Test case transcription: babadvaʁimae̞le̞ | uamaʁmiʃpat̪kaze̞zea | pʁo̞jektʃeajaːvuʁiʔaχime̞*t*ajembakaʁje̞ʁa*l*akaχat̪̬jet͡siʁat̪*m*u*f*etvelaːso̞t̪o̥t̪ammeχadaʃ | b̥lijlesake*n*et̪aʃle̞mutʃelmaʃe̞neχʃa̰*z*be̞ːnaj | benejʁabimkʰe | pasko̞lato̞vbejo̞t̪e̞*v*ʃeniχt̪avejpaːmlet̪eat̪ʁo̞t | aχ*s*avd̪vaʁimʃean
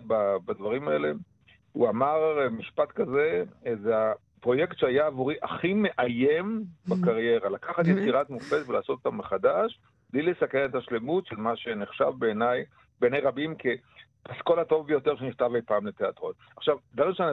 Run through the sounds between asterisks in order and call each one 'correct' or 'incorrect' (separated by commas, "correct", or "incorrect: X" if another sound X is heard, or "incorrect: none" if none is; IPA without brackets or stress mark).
incorrect: ʔ, correct, correct, correct, correct, incorrect: v, incorrect: ʁ, incorrect: ʃ